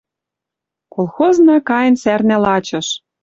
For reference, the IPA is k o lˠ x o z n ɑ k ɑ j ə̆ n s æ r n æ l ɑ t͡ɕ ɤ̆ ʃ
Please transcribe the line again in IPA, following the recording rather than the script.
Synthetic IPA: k o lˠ x o z n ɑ k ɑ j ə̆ n s æ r n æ l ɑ t͡ɕ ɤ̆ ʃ